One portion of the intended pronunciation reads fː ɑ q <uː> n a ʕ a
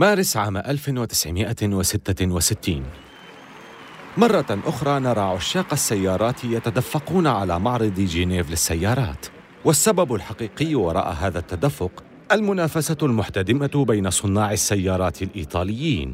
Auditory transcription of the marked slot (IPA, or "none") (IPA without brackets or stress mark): uː